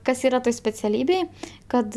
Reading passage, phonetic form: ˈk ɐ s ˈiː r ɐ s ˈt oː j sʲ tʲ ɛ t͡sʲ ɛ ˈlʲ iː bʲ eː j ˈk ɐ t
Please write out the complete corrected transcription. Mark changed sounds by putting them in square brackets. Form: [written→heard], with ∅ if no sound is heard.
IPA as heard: ˈk ɐ s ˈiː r ɐ [s→∅] ˈt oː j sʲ [tʲ→pʲ] ɛ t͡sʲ ɛ ˈlʲ iː bʲ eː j ˈk ɐ t